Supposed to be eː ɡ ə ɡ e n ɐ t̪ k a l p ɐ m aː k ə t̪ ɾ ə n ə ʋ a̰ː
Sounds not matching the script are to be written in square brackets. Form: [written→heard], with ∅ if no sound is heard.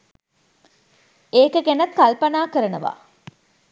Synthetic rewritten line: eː [ɡ→k] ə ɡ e n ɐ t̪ k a l p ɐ [m→n] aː k ə [t̪→∅] ɾ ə n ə ʋ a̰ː